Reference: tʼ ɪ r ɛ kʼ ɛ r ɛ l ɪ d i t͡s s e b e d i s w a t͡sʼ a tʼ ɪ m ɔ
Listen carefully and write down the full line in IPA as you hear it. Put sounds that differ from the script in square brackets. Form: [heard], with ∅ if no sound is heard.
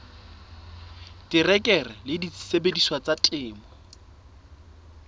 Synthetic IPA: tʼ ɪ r ɛ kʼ ɛ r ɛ l ɪ d i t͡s s e b e d i s w a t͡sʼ a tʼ [ɪː] m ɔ